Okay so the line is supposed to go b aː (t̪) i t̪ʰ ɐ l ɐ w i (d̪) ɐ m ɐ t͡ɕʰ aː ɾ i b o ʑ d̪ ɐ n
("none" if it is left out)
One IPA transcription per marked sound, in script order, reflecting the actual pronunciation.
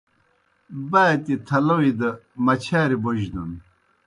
t̪, d̪

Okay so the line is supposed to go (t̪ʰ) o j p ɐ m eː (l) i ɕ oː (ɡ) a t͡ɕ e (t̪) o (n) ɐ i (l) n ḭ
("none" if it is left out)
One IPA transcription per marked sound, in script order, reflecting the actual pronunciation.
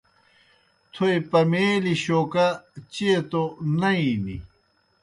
t̪ʰ, l, k, t̪, n, none

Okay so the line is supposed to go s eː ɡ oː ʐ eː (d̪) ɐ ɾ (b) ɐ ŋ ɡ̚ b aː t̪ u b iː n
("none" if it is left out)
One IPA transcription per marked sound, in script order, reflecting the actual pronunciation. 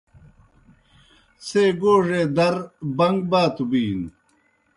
d̪, b

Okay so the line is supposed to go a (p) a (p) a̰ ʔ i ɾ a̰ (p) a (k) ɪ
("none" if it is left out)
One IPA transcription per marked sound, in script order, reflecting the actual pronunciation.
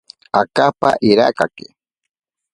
k, p, k, k

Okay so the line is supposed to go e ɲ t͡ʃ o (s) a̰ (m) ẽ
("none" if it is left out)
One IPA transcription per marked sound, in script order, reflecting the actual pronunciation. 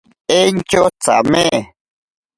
t͡s, m

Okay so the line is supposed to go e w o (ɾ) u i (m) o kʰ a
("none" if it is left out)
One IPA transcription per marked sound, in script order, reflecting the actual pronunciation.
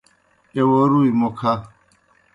ɾ, m

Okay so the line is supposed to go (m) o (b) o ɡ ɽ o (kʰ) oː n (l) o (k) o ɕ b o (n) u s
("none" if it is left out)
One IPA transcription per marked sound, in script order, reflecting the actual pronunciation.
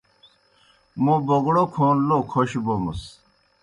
m, b, kʰ, l, kʰ, m

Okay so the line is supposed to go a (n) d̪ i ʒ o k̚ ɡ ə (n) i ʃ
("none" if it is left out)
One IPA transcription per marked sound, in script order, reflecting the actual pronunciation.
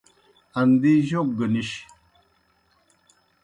n, n

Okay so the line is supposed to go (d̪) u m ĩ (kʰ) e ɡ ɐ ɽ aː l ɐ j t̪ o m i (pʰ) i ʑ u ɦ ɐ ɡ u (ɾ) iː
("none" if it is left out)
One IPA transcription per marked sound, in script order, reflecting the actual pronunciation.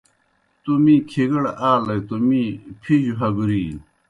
t̪, kʰ, pʰ, ɾ

